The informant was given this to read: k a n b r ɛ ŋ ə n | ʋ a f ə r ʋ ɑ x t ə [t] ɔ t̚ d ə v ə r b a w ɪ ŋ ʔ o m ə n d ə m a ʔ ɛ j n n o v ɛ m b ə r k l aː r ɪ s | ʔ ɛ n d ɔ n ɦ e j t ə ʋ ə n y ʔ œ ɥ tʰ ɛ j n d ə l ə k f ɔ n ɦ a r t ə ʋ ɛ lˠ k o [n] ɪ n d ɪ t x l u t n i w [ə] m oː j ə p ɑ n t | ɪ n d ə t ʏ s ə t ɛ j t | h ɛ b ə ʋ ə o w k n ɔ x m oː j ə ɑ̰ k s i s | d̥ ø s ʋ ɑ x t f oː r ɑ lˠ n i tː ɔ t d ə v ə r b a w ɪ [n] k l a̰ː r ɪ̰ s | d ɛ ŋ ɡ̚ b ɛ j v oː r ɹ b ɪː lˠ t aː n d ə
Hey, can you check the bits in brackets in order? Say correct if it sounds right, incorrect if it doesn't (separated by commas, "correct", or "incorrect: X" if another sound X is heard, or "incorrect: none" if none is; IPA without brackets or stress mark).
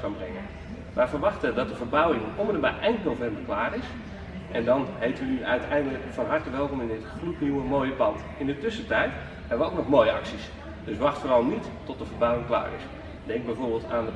incorrect: d, incorrect: m, correct, incorrect: ŋ